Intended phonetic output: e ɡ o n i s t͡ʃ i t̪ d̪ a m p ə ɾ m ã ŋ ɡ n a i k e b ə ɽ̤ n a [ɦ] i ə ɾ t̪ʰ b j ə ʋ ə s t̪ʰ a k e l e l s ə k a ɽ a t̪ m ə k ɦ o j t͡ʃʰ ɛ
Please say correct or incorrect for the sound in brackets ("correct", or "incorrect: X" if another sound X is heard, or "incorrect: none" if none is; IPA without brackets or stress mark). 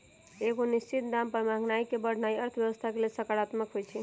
incorrect: none